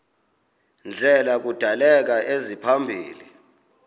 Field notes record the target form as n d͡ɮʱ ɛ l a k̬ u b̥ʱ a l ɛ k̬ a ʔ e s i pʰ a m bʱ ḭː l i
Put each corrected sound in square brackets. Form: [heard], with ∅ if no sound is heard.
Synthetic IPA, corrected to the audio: n d͡ɮʱ ɛ l a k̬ u [d̥ʱ] a l ɛ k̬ a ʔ e [z] i pʰ a m bʱ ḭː l i